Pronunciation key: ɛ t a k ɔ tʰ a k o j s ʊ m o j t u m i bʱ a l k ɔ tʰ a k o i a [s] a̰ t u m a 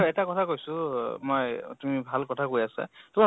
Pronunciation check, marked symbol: correct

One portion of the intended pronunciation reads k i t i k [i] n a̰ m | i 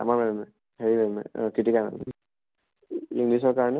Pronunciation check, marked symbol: incorrect: a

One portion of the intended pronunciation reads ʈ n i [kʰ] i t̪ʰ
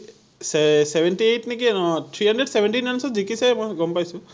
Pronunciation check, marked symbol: incorrect: k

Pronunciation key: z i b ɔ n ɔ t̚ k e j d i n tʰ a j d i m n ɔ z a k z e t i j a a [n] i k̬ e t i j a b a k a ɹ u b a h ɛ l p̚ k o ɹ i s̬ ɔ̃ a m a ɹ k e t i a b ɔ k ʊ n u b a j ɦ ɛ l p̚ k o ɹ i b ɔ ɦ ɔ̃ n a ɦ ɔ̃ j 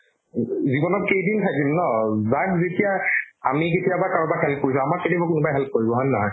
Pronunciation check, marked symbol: incorrect: m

